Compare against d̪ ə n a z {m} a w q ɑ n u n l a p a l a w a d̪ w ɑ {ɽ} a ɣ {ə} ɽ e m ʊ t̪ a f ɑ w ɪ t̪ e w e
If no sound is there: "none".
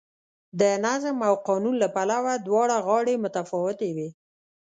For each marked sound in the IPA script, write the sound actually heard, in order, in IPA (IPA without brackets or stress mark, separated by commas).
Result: m, ɽ, ɑ